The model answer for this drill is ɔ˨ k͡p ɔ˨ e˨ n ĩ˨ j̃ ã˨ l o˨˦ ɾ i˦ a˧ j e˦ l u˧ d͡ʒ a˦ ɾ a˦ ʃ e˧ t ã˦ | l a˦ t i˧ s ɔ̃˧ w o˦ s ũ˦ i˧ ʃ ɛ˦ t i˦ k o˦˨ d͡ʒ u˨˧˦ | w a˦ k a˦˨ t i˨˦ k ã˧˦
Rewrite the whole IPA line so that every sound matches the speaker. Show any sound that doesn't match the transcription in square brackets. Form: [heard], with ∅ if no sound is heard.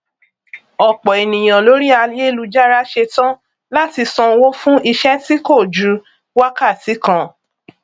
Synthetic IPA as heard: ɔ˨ k͡p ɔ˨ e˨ n ĩ˨ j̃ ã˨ l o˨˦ ɾ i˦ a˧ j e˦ l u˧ d͡ʒ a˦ ɾ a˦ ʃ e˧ t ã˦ | l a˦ t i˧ s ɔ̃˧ w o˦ [f] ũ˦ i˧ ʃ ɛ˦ t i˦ k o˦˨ d͡ʒ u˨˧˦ | w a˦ k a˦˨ t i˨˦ k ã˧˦